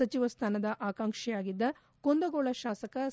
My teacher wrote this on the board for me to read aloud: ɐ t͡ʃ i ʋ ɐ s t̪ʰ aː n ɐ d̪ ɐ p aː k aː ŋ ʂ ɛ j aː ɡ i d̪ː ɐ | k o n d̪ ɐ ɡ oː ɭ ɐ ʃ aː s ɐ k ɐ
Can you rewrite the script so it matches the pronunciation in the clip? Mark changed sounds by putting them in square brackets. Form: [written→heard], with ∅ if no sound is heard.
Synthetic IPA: ɐ t͡ʃ i ʋ ɐ s t̪ʰ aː n ɐ d̪ ɐ [p→ʔ] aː k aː ŋ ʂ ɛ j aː ɡ i d̪ː ɐ | k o n d̪ ɐ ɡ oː ɭ ɐ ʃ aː s ɐ k ɐ

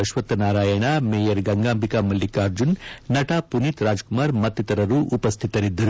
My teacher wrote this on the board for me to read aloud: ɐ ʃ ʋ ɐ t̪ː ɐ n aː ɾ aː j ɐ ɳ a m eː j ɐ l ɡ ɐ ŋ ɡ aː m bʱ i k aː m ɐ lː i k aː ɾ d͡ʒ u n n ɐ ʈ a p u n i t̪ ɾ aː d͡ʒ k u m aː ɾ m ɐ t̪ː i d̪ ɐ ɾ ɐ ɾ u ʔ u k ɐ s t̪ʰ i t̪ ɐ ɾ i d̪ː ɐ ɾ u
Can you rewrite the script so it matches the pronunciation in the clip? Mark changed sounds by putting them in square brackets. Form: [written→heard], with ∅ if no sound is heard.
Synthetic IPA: ɐ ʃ ʋ ɐ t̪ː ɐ n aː ɾ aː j ɐ ɳ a m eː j ɐ [l→ɾ] ɡ ɐ ŋ ɡ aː m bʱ i k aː m ɐ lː i k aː ɾ d͡ʒ u n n ɐ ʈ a p u n i t̪ ɾ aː d͡ʒ k u m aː ɾ m ɐ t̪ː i [d̪→t̪] ɐ ɾ ɐ ɾ u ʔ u [k→p] ɐ s t̪ʰ i t̪ ɐ ɾ i d̪ː ɐ ɾ u

